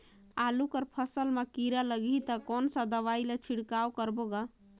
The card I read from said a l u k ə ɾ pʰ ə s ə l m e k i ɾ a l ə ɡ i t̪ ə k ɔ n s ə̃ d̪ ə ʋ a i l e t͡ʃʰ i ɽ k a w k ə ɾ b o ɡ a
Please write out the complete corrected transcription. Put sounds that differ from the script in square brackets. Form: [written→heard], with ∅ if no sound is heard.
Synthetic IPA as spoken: a l u k ə ɾ pʰ ə s ə l m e k i ɾ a l ə ɡ i t̪ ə k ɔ n s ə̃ d̪ ə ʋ a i l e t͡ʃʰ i ɽ k a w k ə ɾ b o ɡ a